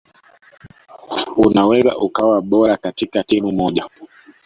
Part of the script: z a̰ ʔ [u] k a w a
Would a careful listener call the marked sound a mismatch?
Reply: no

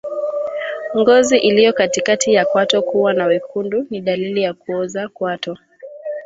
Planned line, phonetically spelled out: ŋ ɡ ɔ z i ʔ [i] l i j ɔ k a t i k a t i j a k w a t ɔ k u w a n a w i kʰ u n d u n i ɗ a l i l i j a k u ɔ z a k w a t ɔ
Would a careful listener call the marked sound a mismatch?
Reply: no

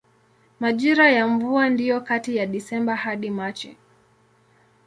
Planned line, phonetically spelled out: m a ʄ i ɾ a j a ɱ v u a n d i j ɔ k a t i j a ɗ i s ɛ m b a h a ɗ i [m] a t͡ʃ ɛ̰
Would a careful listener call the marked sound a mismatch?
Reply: no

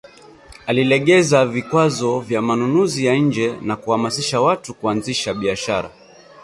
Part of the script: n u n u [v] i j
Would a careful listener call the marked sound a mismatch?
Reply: yes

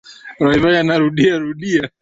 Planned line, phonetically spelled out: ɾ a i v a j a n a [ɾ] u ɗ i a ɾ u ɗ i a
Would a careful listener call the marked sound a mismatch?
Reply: no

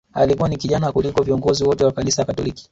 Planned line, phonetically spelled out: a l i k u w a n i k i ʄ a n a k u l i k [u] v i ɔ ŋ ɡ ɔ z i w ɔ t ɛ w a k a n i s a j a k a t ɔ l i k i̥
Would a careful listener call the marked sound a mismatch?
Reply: yes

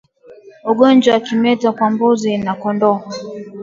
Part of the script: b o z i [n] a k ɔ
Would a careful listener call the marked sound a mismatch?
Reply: no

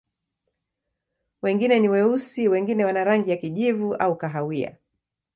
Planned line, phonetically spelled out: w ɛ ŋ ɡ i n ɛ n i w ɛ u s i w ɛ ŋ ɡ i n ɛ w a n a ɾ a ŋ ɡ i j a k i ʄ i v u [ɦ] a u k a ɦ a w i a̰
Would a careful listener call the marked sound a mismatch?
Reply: yes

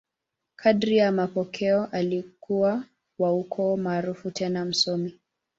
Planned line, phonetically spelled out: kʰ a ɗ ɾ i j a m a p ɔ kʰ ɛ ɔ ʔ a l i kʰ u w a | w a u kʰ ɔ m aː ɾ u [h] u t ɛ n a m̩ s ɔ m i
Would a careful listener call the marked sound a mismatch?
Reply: yes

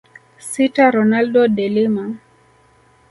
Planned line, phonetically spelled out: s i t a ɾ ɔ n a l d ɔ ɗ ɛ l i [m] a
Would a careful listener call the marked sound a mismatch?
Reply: no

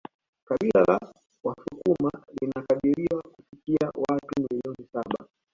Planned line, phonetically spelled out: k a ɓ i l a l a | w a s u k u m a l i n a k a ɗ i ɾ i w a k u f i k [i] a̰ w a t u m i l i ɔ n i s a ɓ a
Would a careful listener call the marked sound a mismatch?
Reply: no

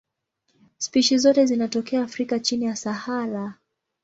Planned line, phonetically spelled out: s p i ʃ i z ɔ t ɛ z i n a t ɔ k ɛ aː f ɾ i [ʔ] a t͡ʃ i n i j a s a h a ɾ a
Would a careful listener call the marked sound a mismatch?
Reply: yes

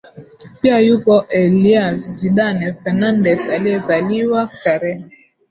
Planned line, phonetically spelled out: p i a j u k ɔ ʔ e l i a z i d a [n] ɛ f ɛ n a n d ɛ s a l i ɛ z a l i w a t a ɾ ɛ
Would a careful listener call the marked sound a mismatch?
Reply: no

